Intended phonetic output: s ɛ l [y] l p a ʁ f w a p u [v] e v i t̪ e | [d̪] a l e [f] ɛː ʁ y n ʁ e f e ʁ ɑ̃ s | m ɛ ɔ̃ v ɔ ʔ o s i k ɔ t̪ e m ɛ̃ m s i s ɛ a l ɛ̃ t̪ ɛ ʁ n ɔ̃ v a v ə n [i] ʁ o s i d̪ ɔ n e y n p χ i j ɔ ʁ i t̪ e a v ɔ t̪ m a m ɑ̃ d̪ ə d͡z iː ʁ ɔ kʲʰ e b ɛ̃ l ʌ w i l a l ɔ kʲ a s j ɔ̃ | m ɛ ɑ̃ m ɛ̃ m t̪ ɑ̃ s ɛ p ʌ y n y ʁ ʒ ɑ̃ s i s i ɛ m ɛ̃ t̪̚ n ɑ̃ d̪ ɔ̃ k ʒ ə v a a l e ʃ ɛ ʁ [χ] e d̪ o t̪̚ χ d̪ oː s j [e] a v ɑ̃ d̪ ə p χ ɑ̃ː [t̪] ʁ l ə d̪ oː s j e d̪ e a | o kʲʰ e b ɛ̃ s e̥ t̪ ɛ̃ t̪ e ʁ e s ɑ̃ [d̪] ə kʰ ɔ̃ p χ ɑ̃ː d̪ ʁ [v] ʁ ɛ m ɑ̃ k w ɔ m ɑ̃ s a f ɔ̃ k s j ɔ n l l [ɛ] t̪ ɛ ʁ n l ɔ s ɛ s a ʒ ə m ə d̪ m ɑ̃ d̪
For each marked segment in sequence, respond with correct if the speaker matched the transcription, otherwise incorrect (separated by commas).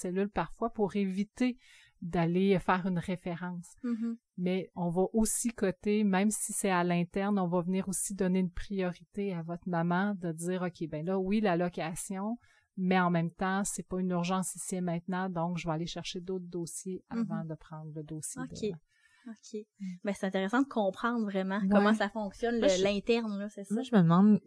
correct, incorrect, correct, correct, incorrect, incorrect, correct, incorrect, correct, correct, incorrect